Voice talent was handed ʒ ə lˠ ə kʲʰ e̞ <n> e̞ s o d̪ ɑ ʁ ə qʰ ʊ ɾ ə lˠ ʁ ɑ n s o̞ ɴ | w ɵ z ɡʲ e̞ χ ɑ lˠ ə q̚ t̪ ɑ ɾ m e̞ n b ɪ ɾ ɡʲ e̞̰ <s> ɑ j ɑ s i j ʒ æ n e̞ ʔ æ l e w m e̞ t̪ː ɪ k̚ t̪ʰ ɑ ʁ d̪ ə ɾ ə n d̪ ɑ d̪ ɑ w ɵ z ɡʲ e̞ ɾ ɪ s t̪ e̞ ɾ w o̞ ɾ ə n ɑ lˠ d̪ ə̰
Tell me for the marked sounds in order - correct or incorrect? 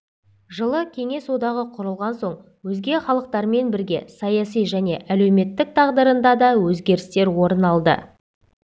incorrect: ŋ, correct

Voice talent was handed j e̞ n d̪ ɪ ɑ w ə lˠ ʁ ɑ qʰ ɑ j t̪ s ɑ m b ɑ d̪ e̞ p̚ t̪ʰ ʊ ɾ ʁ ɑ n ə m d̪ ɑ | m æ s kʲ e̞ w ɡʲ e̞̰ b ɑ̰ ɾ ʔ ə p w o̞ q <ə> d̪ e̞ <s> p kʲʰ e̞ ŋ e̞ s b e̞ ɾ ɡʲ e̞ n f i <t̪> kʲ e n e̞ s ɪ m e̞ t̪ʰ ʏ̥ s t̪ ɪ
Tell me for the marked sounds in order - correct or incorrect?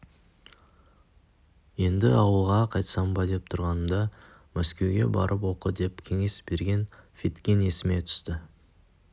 correct, incorrect: none, correct

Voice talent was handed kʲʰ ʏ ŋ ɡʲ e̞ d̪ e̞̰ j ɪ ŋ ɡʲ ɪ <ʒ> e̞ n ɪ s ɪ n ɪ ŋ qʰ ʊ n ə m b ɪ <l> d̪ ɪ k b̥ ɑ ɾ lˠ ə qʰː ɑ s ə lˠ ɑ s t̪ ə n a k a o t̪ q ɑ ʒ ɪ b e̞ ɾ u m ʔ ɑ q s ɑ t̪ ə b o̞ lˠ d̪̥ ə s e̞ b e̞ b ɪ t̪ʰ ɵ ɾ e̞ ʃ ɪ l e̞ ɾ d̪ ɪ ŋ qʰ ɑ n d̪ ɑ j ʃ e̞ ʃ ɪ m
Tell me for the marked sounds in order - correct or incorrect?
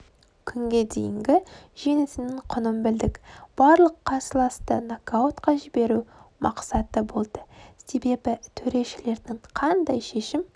correct, correct

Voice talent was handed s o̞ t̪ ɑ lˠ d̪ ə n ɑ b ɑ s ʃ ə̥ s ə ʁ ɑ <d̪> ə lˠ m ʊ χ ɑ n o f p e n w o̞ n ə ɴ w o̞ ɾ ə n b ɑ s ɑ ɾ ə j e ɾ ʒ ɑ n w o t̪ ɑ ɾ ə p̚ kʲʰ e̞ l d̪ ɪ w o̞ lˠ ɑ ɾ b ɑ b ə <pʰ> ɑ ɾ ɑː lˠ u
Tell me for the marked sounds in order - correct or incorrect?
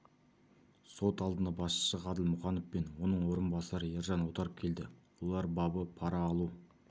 correct, correct

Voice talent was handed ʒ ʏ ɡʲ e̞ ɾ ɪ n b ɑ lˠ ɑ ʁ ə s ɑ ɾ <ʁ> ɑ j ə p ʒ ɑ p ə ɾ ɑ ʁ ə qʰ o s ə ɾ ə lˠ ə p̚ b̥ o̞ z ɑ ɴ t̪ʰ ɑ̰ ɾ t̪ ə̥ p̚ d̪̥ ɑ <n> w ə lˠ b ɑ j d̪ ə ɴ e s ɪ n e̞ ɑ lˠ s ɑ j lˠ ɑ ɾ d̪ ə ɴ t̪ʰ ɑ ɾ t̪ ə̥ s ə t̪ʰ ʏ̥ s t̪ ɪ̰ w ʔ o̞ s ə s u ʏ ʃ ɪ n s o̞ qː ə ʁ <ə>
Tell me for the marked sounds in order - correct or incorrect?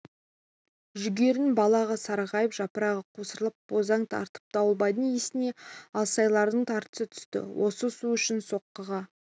correct, incorrect: none, incorrect: ɑ

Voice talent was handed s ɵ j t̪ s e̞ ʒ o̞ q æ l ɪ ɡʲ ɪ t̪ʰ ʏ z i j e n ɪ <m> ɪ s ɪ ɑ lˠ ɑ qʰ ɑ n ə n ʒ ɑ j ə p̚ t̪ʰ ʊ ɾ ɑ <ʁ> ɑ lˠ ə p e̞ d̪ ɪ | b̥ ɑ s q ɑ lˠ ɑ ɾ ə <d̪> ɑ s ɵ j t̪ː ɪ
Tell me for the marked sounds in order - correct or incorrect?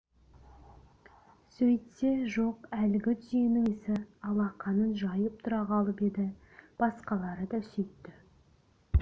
incorrect: ŋ, correct, correct

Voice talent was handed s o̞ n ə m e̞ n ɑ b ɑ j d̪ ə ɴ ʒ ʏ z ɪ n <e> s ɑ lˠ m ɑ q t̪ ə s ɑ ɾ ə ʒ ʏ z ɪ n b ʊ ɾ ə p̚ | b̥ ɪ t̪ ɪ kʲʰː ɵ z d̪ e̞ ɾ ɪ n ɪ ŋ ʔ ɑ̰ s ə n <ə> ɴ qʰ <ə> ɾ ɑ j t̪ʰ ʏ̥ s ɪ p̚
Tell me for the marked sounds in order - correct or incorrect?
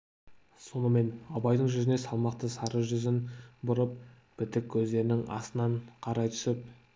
correct, incorrect: ɑ, incorrect: ɑ

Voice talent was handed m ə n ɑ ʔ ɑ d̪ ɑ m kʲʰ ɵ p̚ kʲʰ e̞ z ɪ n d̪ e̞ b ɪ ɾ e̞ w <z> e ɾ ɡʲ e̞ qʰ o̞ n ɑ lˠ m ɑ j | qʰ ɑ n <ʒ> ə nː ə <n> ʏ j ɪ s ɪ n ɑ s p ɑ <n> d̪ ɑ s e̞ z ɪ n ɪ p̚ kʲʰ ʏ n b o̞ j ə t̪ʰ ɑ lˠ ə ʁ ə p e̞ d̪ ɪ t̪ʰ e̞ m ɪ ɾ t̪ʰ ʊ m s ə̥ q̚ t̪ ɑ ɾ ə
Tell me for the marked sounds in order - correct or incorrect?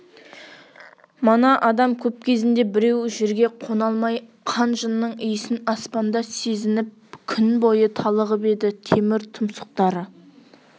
incorrect: ʒ, correct, incorrect: ɴ, correct

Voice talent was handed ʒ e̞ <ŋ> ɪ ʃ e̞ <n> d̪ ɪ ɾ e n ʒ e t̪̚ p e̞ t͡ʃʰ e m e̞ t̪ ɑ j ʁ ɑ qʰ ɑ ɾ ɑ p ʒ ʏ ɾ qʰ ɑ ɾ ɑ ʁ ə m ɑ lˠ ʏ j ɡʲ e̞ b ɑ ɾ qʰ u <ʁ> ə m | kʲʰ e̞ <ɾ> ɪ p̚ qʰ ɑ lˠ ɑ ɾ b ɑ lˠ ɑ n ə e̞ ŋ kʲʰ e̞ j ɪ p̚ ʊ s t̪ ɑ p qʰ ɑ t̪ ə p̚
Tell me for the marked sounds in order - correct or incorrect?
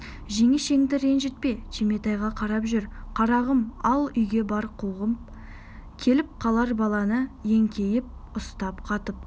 correct, incorrect: ŋ, correct, incorrect: l

